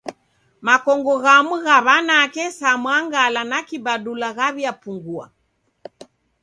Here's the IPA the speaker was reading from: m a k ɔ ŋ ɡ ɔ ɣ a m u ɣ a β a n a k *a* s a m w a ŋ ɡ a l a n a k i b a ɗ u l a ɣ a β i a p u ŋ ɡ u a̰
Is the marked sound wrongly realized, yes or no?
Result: yes